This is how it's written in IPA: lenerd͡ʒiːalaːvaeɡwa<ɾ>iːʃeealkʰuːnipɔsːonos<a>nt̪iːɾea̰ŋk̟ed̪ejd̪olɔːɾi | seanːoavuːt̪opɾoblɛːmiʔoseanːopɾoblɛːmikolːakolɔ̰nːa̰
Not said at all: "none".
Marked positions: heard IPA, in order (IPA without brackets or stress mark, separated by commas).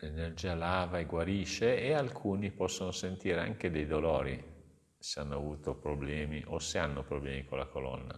ɾ, e